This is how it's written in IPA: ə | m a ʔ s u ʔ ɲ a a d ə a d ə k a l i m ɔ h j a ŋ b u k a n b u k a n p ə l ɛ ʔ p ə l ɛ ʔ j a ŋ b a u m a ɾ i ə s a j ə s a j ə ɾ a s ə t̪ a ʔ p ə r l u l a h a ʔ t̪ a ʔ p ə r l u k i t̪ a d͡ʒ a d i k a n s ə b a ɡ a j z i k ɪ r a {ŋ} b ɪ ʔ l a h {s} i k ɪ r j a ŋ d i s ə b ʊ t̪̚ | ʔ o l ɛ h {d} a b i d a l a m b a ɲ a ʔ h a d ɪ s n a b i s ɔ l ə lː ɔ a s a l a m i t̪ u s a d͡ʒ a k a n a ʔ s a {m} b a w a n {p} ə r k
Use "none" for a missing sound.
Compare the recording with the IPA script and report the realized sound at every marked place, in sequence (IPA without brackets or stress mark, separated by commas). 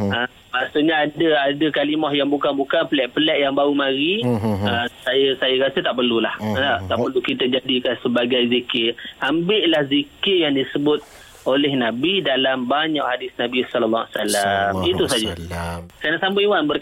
m, z, n, m, b